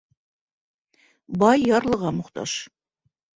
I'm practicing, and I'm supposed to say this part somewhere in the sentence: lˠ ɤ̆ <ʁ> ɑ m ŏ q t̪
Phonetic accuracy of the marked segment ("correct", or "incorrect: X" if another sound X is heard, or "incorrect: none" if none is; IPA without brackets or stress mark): correct